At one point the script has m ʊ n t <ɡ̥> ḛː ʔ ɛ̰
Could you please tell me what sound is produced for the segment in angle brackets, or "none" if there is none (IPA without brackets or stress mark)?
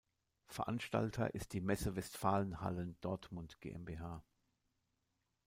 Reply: ɡ̥